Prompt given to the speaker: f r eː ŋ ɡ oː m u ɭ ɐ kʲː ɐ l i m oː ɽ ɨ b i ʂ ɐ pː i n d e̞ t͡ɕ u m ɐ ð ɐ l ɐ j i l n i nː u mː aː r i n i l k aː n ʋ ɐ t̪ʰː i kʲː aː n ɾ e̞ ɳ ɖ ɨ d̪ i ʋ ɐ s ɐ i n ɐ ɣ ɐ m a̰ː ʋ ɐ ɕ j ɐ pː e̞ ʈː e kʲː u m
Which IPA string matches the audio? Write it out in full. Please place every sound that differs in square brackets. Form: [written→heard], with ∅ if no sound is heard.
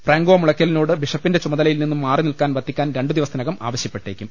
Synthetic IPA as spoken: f r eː ŋ ɡ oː m u ɭ ɐ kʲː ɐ l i [m→n] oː ɽ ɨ b i ʂ ɐ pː i n d e̞ t͡ɕ u m ɐ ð ɐ l ɐ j i l n i nː u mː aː r i n i l k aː n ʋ ɐ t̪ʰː i kʲː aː n ɾ e̞ ɳ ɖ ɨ d̪ i ʋ ɐ s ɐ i n ɐ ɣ ɐ m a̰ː ʋ ɐ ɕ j ɐ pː e̞ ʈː e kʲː u m